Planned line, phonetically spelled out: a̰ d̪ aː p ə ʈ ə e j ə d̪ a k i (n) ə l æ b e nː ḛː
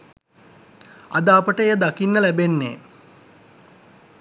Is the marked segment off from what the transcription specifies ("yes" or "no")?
yes